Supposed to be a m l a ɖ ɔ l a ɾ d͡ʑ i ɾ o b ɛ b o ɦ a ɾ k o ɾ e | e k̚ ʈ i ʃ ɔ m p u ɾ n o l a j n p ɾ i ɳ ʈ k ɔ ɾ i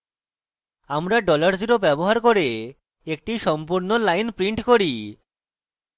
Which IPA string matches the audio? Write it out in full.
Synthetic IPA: a m ɾ a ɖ ɔ l a ɾ d͡ʑ i ɾ o b ɛ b o ɦ a ɾ k o ɾ e | e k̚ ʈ i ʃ ɔ m p u ɾ n o l a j n p ɾ i ɳ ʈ k o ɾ i